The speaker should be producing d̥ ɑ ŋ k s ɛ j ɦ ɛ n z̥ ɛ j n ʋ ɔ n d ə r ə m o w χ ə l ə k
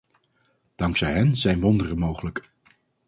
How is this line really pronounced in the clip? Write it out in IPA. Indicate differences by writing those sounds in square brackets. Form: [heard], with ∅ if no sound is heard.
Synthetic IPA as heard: d̥ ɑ ŋ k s ɛ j ɦ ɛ n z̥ ɛ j n ʋ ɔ n d ə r ə m o w χ ə l ə k

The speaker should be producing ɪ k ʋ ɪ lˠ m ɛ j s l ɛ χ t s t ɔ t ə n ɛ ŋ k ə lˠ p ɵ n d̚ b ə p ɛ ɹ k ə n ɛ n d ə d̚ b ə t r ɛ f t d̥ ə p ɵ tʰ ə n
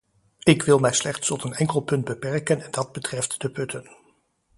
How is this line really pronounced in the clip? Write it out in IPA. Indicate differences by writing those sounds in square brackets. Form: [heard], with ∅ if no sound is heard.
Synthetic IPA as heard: ɪ k ʋ ɪ lˠ m ɛ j s l ɛ χ t s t ɔ t ə n ɛ ŋ k ə lˠ p ɵ n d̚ b ə p ɛ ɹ k ə n ɛ n d [ɑ] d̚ b ə t r ɛ f t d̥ ə p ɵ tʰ ə n

